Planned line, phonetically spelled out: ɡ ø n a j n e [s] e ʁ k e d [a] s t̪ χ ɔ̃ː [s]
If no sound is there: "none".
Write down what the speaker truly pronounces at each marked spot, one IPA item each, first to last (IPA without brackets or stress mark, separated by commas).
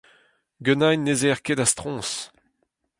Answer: z, a, s